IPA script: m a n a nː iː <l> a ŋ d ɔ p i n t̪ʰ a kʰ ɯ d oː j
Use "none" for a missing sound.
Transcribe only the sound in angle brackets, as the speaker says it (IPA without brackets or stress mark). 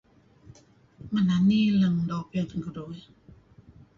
l